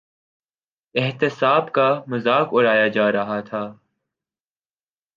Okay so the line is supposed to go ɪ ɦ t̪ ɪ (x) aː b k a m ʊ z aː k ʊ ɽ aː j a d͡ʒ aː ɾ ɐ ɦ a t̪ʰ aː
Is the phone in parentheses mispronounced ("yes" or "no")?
yes